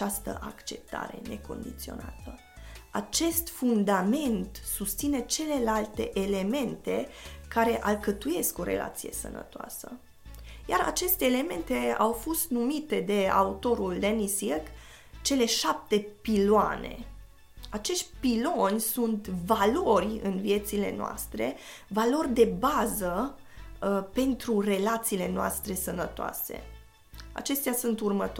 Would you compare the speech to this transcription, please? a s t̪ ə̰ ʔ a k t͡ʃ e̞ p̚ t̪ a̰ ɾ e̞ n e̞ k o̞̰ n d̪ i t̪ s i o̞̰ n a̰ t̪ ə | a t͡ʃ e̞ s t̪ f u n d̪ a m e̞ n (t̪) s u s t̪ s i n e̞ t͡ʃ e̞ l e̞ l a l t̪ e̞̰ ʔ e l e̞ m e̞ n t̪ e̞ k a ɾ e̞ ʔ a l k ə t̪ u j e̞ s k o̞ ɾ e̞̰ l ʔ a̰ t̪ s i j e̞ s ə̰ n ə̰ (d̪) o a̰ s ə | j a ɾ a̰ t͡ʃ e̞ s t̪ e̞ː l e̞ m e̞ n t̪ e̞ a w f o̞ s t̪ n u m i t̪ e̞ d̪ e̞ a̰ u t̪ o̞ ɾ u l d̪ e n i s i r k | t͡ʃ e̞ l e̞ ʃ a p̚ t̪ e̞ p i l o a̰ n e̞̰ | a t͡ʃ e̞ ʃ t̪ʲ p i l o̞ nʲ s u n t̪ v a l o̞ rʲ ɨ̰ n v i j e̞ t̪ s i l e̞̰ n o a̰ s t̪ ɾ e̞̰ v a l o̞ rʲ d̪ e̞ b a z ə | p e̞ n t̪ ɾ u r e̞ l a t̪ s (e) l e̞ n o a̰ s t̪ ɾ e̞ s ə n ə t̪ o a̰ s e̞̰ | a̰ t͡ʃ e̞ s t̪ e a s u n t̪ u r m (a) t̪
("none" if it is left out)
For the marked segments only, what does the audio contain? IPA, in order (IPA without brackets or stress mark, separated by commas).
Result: t̪, t̪, i, ə